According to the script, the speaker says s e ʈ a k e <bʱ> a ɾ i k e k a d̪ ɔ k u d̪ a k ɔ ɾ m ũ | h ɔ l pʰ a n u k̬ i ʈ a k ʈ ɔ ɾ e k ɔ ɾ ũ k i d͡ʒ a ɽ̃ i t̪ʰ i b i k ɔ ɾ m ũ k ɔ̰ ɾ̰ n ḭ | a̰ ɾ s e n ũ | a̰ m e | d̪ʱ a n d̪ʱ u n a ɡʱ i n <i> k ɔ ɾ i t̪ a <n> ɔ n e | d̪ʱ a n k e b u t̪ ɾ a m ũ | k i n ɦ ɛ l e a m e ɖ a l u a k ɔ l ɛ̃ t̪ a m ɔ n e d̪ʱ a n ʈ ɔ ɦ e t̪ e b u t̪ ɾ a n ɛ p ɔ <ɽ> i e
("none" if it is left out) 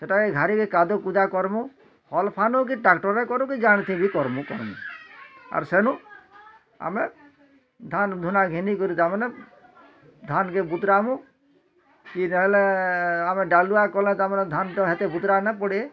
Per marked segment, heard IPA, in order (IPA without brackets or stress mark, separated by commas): ɡʱ, i, m, ɽ